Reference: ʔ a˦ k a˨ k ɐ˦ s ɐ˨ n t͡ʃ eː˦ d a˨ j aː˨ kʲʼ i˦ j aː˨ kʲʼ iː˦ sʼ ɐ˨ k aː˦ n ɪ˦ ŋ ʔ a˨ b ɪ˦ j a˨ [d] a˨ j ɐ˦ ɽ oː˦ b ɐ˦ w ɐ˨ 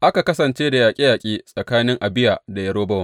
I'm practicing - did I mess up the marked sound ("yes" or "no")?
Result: no